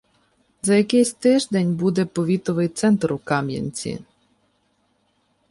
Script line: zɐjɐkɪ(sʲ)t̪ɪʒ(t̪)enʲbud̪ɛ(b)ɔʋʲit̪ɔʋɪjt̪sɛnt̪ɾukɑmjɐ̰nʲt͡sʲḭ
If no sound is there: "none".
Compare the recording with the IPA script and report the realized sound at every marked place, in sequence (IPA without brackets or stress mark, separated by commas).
sʲ, d̪, p